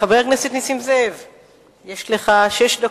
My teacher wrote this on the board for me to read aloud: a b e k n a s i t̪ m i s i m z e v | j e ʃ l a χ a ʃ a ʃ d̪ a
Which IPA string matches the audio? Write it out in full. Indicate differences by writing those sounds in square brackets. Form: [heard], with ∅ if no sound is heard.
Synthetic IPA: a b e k n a s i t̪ [n] i s i m z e v | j e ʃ l [e] χ a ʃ [e] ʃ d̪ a